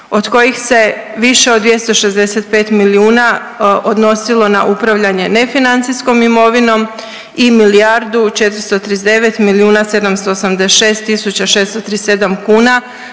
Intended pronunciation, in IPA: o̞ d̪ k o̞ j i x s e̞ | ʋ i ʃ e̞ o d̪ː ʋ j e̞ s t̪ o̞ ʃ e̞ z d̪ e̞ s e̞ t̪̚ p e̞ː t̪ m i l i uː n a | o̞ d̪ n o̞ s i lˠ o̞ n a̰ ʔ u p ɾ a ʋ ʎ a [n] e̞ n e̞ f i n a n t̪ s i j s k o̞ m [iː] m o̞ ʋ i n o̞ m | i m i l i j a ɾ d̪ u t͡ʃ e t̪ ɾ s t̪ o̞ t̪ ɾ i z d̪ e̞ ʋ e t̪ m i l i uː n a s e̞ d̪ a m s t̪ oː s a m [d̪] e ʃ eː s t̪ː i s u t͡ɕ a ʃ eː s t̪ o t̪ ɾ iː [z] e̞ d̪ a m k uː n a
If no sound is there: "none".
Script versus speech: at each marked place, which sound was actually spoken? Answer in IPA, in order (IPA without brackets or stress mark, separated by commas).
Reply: ɲ, i, d̪, s